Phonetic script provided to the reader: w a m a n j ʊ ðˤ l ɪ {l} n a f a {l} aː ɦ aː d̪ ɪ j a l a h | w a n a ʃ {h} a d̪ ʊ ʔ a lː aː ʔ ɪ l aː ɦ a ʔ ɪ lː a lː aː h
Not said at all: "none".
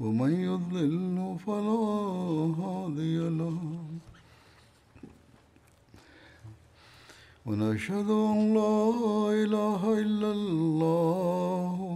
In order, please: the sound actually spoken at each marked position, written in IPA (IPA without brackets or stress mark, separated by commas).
l, l, h